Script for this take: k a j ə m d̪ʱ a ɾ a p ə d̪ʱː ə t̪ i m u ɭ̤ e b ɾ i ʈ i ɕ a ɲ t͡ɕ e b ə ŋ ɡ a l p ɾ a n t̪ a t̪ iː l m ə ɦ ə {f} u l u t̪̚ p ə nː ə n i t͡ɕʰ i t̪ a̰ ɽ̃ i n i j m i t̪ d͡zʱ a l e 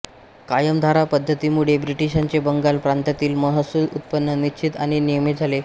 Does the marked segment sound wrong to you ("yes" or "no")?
yes